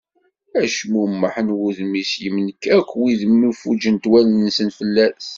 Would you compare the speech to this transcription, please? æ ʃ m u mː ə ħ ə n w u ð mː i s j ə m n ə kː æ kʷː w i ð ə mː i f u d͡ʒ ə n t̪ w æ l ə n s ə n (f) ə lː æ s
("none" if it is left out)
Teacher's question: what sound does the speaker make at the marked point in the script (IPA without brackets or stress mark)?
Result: f